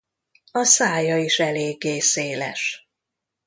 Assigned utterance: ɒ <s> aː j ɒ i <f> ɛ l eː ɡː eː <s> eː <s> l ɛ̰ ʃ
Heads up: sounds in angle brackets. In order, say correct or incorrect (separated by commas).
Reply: correct, incorrect, correct, incorrect